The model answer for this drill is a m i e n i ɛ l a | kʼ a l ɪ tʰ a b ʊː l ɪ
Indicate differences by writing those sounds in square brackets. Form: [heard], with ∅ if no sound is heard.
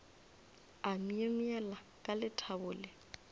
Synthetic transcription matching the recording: a m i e [m] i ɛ l a | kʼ a l ɪ tʰ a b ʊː l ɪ